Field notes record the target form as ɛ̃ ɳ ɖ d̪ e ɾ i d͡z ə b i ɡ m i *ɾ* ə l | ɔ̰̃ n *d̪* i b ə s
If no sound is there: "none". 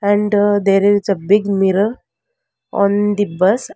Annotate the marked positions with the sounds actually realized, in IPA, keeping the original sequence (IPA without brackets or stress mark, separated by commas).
ɾ, d̪